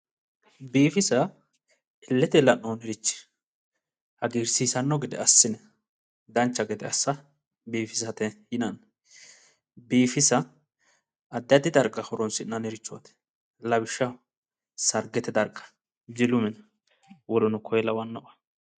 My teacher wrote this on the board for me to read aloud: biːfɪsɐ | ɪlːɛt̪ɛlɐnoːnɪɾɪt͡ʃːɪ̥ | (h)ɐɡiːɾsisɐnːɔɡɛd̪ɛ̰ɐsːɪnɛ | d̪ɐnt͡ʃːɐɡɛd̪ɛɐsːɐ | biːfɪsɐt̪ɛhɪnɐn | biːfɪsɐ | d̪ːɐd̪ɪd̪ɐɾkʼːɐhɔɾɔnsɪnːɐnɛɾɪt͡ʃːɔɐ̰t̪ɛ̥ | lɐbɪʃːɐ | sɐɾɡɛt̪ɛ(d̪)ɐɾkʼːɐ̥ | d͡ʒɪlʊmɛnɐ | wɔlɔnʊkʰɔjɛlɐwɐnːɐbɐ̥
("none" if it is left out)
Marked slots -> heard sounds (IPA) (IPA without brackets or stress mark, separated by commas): h, d̪